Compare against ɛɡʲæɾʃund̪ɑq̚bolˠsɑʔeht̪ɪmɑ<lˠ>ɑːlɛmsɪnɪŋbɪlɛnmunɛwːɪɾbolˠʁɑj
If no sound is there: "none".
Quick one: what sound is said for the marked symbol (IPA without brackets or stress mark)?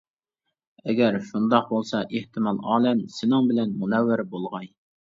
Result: lˠ